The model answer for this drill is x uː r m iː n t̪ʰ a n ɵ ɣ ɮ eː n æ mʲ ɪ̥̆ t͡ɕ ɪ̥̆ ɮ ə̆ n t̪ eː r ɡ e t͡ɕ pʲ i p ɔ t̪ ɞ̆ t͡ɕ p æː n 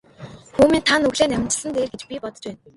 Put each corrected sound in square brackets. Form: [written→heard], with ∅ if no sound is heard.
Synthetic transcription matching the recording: x uː [r→∅] m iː n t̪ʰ a n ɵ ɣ ɮ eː n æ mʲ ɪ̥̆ t͡ɕ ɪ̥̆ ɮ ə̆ n t̪ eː r ɡ e t͡ɕ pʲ i p ɔ t̪ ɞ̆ t͡ɕ p æː n